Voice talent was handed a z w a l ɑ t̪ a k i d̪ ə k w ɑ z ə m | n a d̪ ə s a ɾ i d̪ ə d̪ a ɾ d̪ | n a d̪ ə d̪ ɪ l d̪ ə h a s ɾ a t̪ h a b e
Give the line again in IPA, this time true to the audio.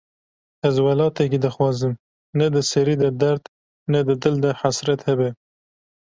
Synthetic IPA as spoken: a z w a l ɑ t̪ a k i d̪ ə x w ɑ z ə m | n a d̪ ə s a ɾ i d̪ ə d̪ a ɾ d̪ | n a d̪ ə d̪ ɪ l d̪ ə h a s ɾ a t̪ h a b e